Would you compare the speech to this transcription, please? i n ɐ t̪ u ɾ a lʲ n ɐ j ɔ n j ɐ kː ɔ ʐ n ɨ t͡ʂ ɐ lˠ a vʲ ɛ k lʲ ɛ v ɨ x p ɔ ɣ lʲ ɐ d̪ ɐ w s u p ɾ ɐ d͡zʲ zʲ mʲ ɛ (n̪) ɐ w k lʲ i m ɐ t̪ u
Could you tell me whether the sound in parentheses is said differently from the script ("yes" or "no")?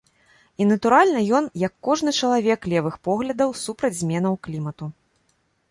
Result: no